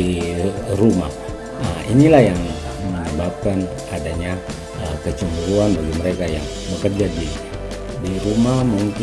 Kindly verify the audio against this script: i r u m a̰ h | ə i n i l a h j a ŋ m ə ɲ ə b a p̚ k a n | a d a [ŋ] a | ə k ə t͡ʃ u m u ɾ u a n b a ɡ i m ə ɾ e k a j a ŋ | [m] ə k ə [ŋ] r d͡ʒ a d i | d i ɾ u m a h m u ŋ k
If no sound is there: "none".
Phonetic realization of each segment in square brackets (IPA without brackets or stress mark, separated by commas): ɲ, b, none